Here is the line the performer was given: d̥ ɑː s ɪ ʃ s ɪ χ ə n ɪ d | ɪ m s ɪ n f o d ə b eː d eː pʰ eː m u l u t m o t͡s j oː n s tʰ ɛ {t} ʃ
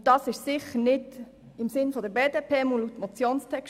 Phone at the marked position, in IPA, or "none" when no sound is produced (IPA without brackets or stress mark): k